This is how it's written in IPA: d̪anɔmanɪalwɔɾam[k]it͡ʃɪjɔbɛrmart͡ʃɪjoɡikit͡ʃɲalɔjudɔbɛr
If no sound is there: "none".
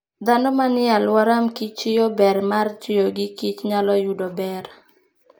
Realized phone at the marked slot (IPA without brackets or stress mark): k